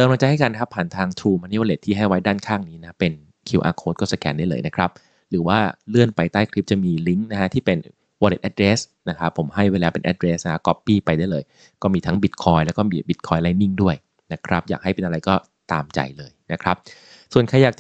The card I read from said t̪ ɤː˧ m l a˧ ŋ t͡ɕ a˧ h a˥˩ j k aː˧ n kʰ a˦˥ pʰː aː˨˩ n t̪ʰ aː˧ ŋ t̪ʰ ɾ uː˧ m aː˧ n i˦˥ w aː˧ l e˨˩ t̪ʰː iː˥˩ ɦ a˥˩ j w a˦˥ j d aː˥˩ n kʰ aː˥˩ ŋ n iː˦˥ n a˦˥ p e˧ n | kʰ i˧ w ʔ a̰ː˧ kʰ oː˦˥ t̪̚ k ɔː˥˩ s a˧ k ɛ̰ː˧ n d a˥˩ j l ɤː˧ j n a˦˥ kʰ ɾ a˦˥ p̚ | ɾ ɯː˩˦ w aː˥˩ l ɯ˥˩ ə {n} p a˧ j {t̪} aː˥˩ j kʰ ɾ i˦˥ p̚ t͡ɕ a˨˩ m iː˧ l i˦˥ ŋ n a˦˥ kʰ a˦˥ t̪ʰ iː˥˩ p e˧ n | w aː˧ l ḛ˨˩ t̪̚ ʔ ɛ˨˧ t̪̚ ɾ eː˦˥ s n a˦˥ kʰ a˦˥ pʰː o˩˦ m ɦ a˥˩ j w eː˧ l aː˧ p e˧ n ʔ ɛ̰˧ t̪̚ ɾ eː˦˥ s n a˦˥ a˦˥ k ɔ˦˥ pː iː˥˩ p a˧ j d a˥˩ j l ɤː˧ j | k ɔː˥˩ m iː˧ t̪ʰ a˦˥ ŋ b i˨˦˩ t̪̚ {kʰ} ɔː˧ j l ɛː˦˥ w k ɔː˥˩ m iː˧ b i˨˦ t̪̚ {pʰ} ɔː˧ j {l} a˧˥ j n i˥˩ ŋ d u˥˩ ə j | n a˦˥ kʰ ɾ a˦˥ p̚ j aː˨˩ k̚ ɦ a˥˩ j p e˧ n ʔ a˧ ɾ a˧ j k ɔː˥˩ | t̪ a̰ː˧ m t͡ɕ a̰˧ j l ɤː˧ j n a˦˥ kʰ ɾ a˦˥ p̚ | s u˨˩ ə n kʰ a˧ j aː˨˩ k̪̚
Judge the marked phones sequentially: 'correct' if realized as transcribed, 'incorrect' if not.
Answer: correct, correct, correct, incorrect: kʰ, correct

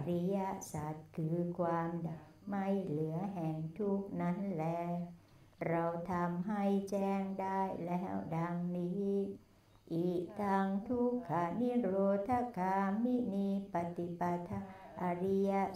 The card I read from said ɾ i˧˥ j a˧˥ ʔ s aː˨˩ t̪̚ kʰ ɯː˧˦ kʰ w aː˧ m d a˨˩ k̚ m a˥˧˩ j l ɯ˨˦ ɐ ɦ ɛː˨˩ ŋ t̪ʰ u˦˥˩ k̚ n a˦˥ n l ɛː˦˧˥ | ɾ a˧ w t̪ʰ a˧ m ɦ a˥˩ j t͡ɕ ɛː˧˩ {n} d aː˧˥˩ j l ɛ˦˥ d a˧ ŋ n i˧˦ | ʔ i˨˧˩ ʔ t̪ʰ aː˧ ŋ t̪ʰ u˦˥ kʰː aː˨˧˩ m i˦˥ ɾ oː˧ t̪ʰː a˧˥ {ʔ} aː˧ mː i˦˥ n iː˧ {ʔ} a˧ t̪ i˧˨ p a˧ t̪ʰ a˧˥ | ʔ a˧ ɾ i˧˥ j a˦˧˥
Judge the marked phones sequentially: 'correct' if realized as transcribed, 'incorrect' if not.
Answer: incorrect: ŋ, incorrect: k, incorrect: p

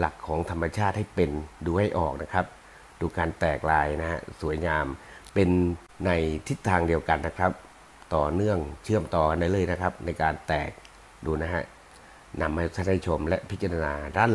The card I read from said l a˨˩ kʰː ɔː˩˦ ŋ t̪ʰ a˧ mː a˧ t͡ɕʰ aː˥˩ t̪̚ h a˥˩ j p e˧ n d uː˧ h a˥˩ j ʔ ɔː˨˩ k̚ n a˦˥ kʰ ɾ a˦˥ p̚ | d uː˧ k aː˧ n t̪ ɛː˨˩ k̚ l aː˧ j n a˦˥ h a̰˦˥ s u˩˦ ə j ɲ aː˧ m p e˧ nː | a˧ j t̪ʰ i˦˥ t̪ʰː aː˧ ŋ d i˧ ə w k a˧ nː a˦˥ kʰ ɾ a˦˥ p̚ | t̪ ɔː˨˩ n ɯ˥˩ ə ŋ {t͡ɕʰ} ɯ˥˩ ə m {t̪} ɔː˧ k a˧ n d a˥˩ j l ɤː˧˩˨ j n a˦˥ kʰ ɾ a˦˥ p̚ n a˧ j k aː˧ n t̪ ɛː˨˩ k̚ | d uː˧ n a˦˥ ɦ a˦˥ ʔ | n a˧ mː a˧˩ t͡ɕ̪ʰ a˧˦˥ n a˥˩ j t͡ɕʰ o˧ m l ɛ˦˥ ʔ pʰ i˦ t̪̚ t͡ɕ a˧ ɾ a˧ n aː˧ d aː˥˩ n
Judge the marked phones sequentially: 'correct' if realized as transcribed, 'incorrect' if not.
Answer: correct, correct

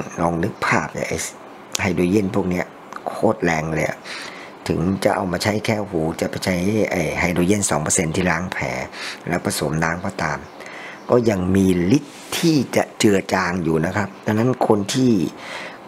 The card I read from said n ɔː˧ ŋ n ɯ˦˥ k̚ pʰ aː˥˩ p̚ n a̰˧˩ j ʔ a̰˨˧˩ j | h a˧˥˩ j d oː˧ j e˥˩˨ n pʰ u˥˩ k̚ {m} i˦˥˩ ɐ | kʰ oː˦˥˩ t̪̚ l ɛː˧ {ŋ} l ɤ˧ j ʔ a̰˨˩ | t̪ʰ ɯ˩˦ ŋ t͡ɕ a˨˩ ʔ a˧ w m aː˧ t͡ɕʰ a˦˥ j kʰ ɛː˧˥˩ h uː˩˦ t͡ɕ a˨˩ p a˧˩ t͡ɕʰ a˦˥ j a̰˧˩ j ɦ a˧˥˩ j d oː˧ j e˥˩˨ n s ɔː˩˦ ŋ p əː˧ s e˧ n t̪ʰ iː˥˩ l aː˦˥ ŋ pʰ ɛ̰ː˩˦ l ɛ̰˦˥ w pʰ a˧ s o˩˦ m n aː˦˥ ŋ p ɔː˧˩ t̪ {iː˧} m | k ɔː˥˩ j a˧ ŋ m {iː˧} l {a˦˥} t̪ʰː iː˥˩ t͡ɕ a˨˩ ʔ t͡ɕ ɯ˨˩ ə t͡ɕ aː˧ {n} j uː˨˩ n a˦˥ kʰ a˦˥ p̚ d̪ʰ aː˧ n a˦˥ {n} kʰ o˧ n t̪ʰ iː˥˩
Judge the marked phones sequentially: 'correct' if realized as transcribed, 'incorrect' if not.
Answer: incorrect: n, correct, incorrect: aː˧, correct, incorrect: i˦˥, incorrect: ŋ, correct

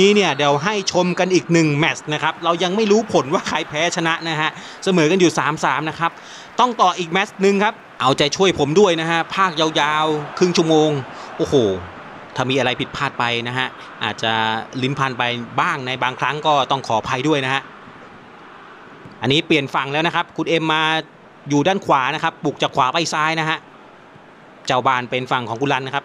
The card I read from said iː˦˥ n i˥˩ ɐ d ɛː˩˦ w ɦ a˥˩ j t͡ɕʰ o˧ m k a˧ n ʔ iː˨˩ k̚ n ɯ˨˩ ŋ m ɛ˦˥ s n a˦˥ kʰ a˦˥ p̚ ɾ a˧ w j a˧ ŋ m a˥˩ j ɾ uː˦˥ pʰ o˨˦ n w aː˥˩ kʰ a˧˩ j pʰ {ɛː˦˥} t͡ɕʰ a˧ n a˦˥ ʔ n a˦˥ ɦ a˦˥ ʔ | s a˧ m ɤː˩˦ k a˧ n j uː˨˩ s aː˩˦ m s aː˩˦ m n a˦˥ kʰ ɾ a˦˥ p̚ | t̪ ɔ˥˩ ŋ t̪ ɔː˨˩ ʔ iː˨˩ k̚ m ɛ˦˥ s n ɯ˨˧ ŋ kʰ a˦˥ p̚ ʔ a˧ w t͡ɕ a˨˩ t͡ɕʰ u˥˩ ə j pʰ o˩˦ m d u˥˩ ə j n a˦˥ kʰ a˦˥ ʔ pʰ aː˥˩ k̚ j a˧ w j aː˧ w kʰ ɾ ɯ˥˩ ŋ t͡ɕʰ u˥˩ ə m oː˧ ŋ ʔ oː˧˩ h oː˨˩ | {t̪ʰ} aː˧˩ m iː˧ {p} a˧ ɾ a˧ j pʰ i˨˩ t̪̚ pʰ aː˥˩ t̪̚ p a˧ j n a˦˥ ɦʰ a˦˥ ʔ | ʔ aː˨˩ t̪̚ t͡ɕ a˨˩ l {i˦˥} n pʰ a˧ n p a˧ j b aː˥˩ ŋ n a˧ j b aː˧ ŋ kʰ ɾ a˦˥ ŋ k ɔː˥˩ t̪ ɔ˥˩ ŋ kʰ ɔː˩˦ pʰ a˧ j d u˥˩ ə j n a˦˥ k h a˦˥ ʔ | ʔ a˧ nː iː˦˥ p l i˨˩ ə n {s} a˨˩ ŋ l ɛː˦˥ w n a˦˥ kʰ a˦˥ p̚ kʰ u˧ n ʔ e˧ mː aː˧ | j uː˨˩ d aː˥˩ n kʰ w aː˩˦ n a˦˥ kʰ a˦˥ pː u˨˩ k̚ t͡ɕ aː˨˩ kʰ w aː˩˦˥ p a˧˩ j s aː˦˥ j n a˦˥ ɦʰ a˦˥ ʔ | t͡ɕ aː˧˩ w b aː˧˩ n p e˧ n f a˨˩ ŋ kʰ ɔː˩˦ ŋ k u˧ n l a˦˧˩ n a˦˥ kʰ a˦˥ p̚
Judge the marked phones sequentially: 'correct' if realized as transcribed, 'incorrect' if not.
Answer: correct, correct, incorrect: ʔ, correct, incorrect: f

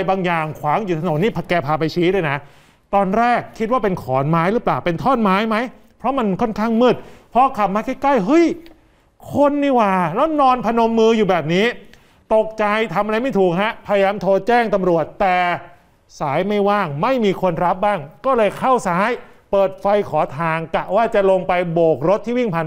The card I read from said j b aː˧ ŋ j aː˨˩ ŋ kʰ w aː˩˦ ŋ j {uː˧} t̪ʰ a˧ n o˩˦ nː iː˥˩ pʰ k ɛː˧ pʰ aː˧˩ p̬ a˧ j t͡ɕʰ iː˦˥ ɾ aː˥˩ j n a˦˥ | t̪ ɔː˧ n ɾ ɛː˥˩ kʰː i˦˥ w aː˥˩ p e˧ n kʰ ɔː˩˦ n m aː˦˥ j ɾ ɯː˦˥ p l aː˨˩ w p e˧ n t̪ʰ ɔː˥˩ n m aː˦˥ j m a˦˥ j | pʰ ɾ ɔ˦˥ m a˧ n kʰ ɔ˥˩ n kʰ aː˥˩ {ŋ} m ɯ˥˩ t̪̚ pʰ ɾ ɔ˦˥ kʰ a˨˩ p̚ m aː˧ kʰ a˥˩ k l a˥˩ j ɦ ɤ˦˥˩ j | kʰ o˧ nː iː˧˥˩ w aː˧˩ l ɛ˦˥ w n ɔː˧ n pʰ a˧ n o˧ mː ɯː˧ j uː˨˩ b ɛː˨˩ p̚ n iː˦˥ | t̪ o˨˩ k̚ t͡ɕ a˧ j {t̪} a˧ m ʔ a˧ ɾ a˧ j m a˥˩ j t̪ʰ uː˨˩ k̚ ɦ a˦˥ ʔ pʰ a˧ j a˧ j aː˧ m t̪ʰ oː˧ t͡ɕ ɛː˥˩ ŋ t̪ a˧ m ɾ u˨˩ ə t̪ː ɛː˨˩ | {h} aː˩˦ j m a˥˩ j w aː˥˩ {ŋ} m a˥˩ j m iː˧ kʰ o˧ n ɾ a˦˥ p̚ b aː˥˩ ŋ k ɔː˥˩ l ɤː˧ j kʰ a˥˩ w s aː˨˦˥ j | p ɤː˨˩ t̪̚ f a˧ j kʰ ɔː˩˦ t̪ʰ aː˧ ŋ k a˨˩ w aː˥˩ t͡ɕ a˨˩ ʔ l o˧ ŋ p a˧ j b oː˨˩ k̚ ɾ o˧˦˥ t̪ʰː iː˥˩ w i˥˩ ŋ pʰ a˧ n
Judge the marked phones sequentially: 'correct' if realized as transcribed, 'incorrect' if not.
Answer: incorrect: uː˨˩, correct, incorrect: t̪ʰ, incorrect: s, correct

